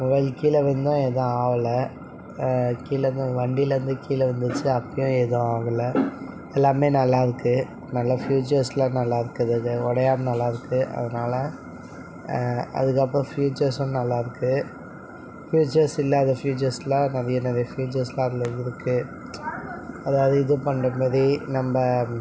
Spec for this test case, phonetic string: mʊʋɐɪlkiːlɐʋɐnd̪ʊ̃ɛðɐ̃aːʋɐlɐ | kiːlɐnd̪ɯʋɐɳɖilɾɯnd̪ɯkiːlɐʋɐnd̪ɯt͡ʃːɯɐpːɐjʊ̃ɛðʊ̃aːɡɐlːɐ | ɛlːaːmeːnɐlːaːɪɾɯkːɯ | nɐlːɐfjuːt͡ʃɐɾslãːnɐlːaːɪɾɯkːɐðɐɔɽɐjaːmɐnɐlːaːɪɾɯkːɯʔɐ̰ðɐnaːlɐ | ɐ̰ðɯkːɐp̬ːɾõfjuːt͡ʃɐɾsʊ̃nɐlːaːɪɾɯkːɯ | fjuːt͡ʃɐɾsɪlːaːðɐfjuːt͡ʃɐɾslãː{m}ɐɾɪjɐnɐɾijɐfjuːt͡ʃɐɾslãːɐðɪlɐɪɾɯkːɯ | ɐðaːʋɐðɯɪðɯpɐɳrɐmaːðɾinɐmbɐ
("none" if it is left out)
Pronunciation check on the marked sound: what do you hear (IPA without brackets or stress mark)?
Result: n